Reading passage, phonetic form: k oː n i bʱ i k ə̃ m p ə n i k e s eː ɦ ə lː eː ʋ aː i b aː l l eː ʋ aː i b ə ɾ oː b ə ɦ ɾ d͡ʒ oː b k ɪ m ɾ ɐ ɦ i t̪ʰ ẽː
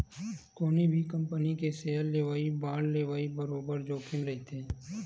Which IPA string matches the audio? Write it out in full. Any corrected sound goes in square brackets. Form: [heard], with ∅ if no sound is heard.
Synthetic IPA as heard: k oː n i bʱ i k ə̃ m p ə n i k e s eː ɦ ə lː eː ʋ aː i b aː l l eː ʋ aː i b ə ɾ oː b ə [∅] ɾ d͡ʒ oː [∅] k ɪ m ɾ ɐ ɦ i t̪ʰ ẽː